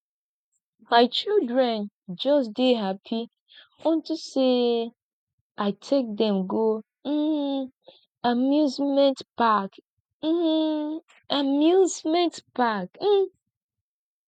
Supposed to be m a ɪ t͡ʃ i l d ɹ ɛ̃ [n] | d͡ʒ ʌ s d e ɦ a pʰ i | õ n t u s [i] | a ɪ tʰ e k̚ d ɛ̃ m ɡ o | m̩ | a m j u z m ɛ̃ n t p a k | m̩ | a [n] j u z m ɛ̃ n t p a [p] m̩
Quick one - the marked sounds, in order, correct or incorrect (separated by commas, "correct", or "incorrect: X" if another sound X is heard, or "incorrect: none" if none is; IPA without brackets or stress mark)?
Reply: correct, incorrect: e, incorrect: m, incorrect: k